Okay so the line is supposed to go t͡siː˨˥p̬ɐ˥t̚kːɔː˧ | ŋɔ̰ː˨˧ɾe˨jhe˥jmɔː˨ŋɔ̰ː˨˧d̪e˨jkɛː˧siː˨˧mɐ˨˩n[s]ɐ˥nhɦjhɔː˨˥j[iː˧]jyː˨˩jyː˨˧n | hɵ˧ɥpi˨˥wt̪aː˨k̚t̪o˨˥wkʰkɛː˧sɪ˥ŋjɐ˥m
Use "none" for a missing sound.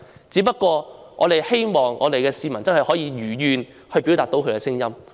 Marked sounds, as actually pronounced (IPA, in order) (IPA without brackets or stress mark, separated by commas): t͡s, iː˧